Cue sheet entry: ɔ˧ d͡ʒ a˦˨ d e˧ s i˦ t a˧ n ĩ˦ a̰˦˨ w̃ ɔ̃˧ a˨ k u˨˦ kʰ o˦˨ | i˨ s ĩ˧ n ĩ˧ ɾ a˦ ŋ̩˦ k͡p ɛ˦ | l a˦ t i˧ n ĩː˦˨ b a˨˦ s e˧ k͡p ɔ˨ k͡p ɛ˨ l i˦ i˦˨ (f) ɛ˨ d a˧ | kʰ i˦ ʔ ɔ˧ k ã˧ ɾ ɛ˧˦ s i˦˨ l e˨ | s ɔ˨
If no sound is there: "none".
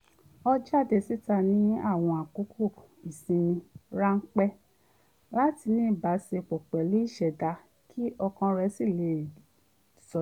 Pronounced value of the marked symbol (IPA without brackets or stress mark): ʃ